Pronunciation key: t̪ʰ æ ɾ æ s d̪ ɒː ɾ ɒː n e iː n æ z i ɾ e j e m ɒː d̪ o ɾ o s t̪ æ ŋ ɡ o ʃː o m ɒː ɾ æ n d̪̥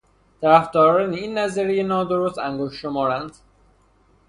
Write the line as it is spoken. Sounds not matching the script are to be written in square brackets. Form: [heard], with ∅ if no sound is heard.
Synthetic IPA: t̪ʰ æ ɾ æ [f] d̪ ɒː ɾ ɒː n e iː [nː] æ z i ɾ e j e [n] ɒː d̪ o ɾ o s t̪ æ ŋ ɡ o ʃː o m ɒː ɾ æ n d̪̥